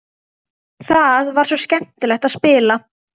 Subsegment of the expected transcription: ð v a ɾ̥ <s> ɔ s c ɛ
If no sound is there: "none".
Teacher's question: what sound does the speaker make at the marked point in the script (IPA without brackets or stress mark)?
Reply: s